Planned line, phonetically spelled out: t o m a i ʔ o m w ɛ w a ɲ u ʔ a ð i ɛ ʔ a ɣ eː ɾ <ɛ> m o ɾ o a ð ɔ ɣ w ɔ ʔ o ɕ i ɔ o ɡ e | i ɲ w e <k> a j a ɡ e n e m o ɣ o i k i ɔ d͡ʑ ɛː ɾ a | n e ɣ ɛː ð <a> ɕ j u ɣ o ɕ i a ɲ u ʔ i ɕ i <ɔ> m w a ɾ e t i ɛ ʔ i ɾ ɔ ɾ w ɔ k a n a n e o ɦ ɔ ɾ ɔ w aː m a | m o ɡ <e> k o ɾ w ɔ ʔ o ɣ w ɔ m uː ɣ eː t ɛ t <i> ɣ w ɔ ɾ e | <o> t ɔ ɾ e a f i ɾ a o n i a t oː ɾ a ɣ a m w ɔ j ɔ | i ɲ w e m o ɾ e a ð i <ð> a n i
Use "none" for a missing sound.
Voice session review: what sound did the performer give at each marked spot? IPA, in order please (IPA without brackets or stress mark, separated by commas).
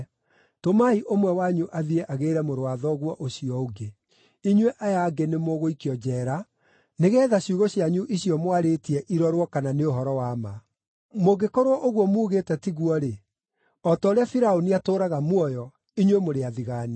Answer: ɛ, ʔ, a, ɔ, e, i, ɔ, ɣ